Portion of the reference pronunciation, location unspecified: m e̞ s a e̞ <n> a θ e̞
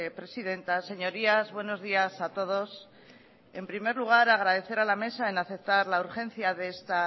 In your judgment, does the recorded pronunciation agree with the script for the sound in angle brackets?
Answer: yes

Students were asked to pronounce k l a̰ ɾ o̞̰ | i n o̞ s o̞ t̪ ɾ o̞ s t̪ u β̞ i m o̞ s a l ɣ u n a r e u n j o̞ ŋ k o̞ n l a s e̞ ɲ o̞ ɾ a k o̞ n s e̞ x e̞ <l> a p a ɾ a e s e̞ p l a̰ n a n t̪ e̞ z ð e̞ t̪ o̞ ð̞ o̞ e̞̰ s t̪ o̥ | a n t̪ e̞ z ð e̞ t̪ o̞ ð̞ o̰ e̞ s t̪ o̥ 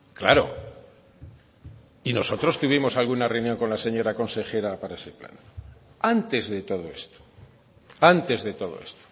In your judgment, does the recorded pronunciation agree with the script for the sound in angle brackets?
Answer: no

